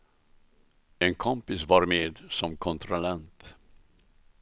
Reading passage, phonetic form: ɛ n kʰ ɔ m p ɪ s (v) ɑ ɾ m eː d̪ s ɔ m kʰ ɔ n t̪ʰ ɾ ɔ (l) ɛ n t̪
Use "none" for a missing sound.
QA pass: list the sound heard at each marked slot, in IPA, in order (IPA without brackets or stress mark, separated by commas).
v, l